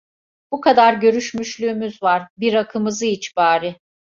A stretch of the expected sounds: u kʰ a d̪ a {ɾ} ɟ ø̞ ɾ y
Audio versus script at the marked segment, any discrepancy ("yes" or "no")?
no